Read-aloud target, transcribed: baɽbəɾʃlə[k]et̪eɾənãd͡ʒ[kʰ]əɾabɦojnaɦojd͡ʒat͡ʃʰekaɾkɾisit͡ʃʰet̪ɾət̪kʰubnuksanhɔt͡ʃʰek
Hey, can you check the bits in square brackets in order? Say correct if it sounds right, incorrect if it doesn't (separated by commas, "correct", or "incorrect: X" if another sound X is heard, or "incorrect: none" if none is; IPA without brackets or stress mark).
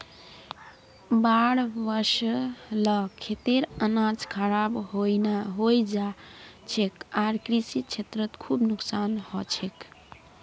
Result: incorrect: kʰ, correct